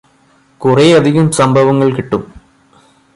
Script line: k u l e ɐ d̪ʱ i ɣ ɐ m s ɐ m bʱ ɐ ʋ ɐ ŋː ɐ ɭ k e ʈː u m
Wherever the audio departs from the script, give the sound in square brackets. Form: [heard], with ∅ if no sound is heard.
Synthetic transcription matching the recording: k u [r] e ɐ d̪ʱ i ɣ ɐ m s ɐ m bʱ ɐ ʋ ɐ ŋː ɐ ɭ k [i] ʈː u m